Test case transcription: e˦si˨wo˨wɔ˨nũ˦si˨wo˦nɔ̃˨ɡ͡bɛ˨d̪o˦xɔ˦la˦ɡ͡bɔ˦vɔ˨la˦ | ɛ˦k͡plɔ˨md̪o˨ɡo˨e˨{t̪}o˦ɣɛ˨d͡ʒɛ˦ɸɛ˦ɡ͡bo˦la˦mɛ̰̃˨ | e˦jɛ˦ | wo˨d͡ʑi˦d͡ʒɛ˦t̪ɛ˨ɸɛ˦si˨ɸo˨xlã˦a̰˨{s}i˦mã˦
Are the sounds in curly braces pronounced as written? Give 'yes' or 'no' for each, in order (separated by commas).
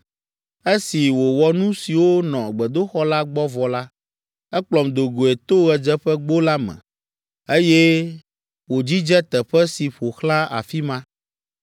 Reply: yes, no